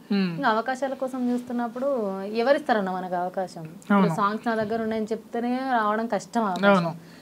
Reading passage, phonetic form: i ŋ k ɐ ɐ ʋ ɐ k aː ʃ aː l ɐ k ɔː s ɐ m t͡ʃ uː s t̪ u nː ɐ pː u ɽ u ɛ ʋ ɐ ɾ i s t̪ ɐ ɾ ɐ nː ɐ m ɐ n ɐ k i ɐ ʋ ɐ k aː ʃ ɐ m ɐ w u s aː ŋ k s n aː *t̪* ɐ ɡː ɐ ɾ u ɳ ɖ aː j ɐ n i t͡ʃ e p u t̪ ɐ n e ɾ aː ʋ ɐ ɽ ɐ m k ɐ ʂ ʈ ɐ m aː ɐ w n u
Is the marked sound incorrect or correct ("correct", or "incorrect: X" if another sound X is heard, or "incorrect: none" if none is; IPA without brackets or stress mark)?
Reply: incorrect: d̪